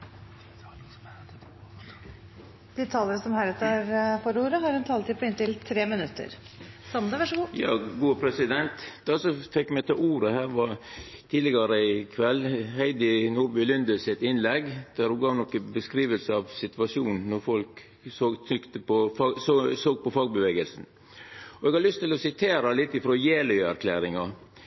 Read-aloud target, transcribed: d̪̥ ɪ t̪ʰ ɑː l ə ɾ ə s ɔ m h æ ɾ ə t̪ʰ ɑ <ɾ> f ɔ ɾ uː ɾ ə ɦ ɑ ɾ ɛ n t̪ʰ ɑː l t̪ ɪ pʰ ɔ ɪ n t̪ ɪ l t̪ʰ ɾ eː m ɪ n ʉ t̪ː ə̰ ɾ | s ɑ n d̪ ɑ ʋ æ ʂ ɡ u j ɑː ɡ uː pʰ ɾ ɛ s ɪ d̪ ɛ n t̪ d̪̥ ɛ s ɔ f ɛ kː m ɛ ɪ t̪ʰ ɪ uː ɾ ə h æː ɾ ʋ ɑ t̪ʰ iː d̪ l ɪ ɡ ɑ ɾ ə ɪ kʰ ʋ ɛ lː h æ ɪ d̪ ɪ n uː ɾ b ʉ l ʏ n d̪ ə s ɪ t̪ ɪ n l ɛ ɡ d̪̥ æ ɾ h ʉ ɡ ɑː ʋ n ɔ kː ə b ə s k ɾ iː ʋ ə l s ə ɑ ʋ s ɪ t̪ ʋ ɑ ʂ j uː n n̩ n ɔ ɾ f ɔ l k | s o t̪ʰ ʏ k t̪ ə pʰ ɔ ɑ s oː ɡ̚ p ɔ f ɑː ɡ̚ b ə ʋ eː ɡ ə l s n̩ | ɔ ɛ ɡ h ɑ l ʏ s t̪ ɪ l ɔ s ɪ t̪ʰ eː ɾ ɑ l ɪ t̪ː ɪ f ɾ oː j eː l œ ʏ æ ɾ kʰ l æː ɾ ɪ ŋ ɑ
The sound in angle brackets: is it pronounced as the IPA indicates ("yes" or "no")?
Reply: yes